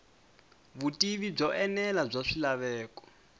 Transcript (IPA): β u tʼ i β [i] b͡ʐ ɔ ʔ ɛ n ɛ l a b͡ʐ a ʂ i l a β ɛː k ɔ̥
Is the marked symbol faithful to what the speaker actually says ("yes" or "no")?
yes